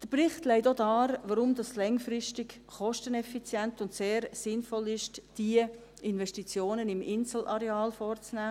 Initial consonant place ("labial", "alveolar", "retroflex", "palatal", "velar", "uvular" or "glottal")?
alveolar